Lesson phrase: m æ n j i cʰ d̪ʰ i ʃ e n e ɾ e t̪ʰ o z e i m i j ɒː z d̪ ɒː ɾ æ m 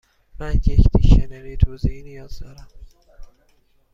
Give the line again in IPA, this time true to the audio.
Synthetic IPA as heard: m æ n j e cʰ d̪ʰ i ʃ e n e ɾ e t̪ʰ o z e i n i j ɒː z d̪ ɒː ɾ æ m

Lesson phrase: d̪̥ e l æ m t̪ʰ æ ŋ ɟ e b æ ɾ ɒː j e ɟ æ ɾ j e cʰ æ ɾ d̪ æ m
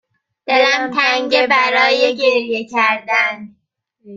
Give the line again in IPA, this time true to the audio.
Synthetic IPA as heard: d̪̥ e l æ m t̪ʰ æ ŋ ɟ e b æ ɾ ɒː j e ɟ e ɾ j e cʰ æ ɾ d̪ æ n

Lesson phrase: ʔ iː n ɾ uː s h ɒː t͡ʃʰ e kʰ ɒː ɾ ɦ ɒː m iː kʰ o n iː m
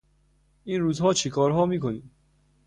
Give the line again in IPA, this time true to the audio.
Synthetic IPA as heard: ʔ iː n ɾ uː z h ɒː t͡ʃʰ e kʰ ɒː ɾ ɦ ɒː m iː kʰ o n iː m

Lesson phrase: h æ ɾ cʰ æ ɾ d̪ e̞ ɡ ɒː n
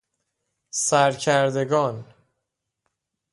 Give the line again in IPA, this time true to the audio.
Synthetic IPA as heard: s æ ɾ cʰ æ ɾ d̪ e̞ ɡ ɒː n

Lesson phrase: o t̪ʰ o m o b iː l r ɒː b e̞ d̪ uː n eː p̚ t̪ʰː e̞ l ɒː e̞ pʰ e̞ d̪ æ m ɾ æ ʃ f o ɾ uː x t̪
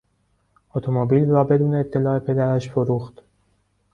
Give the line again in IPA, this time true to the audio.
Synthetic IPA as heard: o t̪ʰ o m o b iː l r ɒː b e̞ d̪ uː n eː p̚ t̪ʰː e̞ l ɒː e̞ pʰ e̞ d̪ æ ɾ æ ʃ f o ɾ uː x t̪

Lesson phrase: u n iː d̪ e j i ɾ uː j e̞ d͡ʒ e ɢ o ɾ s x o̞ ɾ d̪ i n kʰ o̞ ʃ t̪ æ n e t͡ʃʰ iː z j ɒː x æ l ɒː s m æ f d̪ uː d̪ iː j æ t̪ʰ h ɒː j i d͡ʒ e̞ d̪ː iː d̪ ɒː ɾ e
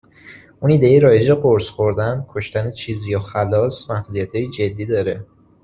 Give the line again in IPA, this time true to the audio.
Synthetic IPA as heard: u n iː d̪ e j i ɾ ɒː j e̞ d͡ʒ e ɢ o ɾ s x o̞ ɾ d̪ æ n kʰ o̞ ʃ t̪ æ n e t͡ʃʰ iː z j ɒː x æ l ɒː s m æ h d̪ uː d̪ i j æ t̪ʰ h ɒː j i d͡ʒ e̞ d̪ː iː d̪ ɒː ɾ e

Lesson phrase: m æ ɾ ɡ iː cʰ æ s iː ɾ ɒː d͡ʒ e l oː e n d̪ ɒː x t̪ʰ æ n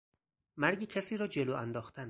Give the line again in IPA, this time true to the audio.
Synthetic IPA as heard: m æ ɾ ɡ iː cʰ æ s iː ɾ ɒː d͡ʒ e l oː æ n d̪ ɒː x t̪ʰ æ n

